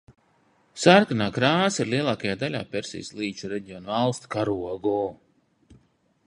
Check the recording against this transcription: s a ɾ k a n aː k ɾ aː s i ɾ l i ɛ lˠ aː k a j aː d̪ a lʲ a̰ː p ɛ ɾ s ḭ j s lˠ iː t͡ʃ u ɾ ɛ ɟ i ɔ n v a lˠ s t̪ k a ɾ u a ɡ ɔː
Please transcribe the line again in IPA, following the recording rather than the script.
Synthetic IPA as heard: s a ɾ k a n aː k ɾ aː s i ɾ l i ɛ lˠ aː k a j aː d̪ a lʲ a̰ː p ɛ ɾ s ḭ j s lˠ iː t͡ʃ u ɾ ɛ ɟ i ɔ n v a lˠ s t̪ k a ɾ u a ɡ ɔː

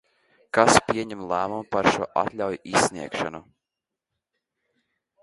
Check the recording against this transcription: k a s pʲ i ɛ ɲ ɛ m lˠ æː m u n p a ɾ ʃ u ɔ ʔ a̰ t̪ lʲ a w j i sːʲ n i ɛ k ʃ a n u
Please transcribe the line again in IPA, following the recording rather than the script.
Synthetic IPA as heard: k a s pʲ i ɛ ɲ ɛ m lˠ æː m u m p a ɾ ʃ u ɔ ʔ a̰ t̪ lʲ a w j i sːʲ n i ɛ k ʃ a n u

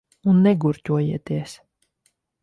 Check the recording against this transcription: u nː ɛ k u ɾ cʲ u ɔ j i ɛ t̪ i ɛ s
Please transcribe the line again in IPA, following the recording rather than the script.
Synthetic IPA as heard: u nː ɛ ɡ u ɾ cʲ u ɔ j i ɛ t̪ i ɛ s

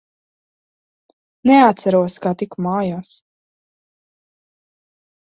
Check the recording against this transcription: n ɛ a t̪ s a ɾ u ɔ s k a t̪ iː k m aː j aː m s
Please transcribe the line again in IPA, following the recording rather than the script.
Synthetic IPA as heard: n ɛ a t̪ s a ɾ u ɔ s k a t̪ i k m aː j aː s

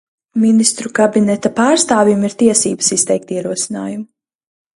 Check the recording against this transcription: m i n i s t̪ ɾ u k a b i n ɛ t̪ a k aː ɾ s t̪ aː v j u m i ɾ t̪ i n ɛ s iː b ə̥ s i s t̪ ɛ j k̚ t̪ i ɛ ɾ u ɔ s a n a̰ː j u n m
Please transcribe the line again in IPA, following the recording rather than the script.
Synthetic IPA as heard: m i n i s t̪ ɾ u k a b i n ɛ t̪ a p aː ɾ s t̪ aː v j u m i ɾ t̪ i ɛ s iː b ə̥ s i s t̪ ɛ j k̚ t̪ i ɛ ɾ u ɔ s i n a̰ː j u m

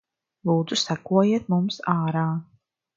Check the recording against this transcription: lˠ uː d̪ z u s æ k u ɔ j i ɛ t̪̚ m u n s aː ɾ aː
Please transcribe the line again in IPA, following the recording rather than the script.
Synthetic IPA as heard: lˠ uː d̪ z u s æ k u ɔ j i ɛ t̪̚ m u m s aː ɾ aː

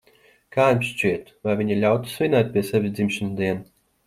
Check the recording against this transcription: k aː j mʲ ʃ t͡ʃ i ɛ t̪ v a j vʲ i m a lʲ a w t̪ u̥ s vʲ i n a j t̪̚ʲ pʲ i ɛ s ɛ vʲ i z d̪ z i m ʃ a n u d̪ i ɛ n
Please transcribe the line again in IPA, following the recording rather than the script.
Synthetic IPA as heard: k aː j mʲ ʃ t͡ʃ i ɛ t̪ v a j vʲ i ɲ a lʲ a w t̪ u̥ s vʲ i n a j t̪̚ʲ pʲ i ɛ s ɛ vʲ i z d̪ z i m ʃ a n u d̪ i ɛ n

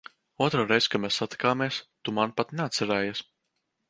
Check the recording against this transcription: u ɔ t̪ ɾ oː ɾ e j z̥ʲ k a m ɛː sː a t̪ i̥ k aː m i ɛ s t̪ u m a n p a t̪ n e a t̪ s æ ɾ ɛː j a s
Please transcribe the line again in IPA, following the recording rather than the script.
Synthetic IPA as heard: u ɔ t̪ ɾ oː ɾ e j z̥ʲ k a m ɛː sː a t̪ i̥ k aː m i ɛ s t̪ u m a n p a t̪ n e a t̪ s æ ɾ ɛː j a s

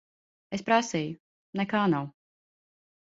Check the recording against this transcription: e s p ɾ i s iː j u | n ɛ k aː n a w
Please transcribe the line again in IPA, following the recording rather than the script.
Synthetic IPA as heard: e s p ɾ a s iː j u | n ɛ k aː n a w

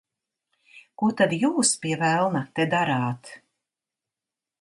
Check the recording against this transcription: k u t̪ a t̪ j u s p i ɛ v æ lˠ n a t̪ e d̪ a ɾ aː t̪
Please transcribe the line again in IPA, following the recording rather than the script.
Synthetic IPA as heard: k u t̪ a d̪ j uː s p i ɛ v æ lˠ n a t̪ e d̪ a ɾ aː t̪

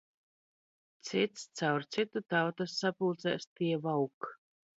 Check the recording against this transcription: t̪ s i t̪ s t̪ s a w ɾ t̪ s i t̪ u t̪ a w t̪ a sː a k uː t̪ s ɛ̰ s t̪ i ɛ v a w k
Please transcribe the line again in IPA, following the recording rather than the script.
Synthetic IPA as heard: t̪ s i t̪ s t̪ s a w ɾ t̪ s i t̪ u t̪ a w t̪ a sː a p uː t̪ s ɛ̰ s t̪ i ɛ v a w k

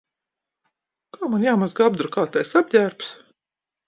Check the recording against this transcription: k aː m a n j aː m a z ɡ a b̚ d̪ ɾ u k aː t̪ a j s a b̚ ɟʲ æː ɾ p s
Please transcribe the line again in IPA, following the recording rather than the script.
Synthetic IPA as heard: k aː m a n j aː m a z ɡ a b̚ d̪ ɾ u k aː t̪ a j s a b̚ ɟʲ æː ɾ p s

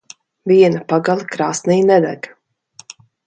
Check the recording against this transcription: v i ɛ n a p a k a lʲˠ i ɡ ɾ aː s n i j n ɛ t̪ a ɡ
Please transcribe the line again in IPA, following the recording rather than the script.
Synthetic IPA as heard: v i ɛ n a p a ɡ a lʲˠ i k ɾ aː s n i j n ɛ d̪ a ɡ

